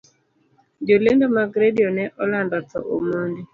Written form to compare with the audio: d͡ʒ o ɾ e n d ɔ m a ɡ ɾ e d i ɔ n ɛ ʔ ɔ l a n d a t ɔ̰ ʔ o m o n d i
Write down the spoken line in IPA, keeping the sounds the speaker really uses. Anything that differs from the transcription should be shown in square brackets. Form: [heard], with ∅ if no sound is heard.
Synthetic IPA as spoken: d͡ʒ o [l] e n d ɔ m a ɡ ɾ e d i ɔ n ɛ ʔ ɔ l a n d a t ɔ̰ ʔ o m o n d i